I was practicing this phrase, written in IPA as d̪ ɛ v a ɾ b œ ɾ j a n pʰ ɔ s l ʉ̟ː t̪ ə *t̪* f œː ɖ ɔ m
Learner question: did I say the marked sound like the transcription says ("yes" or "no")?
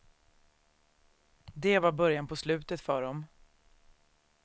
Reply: yes